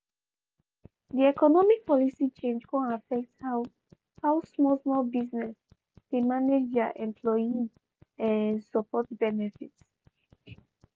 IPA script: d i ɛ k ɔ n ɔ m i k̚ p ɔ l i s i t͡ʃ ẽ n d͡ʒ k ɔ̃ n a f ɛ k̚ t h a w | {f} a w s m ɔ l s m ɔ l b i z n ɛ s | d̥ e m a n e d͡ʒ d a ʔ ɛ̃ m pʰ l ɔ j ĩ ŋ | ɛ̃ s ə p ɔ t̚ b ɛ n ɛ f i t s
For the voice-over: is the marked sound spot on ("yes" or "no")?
no